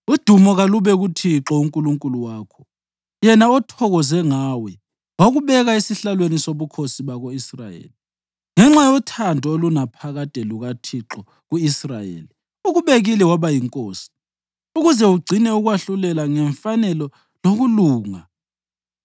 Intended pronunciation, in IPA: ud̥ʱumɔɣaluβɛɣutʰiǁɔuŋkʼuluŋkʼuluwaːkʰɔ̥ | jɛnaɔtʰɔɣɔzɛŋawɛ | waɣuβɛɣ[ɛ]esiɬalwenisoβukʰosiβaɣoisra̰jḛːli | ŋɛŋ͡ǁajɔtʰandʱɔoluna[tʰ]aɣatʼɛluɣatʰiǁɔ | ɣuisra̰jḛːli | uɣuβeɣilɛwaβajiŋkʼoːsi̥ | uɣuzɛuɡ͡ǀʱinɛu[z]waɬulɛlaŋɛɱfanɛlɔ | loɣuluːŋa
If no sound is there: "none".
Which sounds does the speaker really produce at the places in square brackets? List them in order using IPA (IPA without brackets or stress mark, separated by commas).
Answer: a, pʰ, ɣ